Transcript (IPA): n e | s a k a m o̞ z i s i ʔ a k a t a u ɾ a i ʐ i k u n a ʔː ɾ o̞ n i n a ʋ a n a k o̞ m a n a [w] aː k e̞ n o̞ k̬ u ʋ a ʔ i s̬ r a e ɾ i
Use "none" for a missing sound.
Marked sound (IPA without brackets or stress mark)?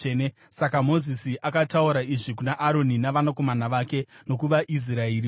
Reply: ʋ